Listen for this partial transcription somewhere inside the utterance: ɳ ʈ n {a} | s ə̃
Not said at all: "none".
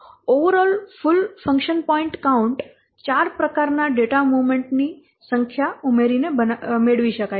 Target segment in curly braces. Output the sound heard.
i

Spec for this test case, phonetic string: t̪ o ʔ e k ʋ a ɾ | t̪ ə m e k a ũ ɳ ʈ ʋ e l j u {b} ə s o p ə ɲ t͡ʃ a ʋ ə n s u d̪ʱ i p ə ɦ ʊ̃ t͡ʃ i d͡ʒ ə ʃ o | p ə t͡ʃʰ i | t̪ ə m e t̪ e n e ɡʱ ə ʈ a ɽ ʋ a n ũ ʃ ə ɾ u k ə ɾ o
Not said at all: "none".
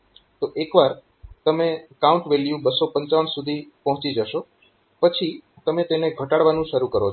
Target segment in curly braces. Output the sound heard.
b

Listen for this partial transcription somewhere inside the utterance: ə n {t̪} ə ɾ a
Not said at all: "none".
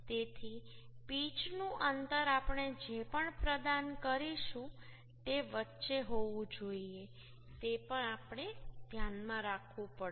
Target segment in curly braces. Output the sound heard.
t̪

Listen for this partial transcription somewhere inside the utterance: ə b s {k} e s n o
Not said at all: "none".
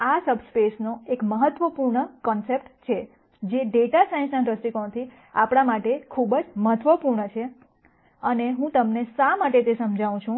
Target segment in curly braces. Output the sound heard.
p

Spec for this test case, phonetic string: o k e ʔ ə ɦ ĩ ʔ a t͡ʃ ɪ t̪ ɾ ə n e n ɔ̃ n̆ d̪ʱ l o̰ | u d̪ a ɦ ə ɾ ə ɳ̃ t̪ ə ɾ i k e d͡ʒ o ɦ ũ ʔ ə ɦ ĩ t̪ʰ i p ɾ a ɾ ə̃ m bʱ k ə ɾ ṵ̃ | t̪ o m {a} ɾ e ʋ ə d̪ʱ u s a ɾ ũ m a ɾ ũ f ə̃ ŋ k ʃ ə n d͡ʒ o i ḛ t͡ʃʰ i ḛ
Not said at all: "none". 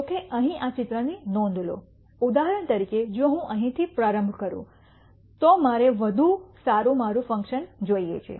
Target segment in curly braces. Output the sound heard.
a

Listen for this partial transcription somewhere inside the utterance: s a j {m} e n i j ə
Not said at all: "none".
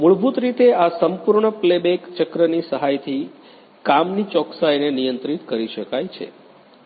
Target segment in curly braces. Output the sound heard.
n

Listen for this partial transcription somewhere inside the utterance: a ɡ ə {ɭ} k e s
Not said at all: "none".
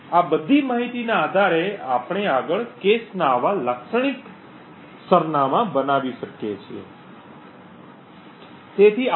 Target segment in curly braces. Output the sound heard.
ɭ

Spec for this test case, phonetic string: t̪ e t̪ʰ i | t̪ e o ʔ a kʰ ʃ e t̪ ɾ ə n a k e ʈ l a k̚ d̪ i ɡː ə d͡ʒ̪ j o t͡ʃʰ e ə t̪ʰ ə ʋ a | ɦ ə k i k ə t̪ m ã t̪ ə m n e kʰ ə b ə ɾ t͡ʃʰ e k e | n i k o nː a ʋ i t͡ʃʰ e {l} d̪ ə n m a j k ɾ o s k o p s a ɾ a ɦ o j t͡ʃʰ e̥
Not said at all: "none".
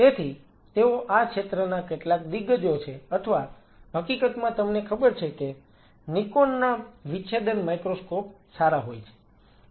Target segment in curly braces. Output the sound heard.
none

